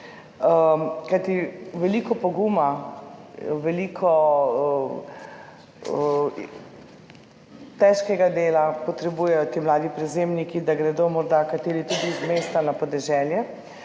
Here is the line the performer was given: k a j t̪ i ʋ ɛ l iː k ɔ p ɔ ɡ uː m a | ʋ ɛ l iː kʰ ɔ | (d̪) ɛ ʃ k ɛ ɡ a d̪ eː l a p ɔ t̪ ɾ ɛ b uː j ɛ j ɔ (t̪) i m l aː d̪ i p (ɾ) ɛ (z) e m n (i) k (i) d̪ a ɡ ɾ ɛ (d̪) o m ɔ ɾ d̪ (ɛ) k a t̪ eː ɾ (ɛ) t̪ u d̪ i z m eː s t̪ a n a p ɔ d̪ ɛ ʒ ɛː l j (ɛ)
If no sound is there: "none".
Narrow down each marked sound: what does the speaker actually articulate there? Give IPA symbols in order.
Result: t̪, t̪, ɾ, z, i, i, d̪, a, i, ɛ

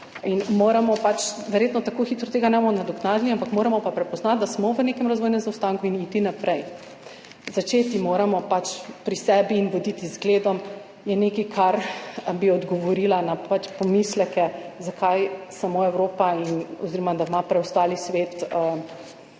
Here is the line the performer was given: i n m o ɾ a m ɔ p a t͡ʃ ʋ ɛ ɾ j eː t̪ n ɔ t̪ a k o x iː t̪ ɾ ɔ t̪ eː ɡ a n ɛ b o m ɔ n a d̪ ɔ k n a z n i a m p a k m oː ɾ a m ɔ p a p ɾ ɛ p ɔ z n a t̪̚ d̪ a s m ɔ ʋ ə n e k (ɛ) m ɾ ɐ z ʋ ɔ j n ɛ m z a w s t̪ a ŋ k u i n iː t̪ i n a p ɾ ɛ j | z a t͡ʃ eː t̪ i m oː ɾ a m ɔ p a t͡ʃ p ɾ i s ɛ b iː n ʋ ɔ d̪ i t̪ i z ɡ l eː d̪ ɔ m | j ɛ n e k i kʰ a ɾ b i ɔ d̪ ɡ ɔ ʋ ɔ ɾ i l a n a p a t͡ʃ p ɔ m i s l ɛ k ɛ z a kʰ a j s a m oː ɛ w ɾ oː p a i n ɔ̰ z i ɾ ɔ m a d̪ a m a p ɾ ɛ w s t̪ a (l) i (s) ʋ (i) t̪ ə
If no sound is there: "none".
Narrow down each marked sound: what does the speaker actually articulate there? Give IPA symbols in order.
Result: ɛ, l, s, e

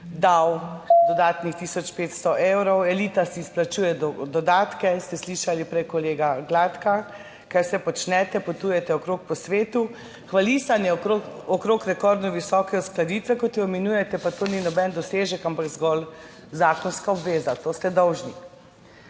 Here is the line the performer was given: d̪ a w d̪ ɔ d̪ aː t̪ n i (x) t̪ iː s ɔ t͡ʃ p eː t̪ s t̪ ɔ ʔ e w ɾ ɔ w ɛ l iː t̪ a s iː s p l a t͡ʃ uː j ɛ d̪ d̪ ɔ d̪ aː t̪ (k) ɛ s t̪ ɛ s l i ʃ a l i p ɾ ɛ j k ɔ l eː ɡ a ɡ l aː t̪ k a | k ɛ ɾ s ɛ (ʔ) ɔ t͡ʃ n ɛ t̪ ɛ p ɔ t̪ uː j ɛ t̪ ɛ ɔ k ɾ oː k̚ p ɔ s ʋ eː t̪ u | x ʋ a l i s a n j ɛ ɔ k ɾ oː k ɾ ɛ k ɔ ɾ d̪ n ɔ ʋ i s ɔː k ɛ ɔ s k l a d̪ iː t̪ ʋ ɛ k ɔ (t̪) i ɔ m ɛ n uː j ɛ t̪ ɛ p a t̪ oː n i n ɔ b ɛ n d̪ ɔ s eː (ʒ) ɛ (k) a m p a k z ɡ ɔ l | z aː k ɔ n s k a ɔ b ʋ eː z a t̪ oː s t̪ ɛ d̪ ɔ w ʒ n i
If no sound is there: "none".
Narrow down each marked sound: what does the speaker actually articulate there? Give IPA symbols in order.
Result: x, k, p, t̪, ʒ, k

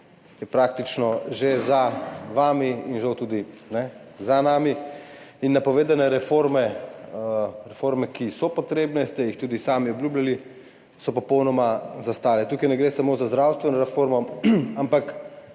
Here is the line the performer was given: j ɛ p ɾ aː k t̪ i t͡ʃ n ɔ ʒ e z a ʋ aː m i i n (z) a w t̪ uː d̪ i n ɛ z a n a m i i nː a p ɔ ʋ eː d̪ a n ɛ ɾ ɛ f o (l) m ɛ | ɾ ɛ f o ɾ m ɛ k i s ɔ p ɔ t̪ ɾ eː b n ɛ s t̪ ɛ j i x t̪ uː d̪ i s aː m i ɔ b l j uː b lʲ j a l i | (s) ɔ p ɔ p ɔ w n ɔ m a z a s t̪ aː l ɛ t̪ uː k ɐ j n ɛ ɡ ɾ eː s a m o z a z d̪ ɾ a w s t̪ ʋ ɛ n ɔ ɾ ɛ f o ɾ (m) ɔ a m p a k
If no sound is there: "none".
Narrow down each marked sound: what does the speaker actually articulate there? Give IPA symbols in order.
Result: ʒ, ɾ, s, m

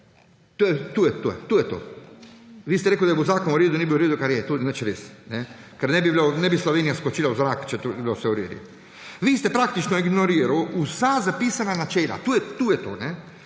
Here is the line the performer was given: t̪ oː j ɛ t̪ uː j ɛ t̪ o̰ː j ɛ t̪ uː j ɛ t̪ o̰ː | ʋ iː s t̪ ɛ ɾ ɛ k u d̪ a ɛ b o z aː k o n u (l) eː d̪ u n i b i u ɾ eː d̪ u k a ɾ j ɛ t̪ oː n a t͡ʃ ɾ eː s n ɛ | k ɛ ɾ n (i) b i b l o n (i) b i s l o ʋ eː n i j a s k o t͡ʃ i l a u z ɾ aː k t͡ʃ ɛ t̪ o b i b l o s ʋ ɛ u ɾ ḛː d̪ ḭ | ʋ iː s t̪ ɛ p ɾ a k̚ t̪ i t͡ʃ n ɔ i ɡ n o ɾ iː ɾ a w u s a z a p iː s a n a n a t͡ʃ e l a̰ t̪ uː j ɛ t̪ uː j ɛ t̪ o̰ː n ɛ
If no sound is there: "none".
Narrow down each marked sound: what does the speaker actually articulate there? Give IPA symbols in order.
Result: ɾ, ɛ, ɛ

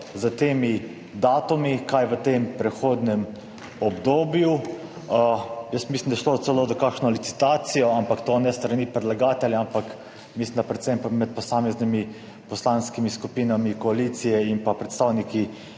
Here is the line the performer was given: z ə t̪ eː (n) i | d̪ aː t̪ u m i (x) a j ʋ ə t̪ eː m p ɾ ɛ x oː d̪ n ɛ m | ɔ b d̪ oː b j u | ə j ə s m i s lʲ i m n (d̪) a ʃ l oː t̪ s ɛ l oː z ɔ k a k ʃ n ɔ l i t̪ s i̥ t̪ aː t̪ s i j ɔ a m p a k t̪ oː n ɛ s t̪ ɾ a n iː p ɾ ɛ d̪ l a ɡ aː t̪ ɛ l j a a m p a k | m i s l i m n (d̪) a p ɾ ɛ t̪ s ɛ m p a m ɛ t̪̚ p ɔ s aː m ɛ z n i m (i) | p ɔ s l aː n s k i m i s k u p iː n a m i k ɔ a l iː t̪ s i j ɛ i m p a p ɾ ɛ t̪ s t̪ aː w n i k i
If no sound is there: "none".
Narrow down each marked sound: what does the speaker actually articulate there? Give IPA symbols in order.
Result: m, k, d̪, d̪, i

